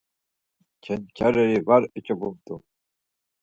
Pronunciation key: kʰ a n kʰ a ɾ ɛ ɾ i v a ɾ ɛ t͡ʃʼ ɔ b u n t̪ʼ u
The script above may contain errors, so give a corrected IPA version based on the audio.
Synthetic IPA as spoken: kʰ ɛ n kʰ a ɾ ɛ ɾ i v a ɾ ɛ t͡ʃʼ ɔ b u m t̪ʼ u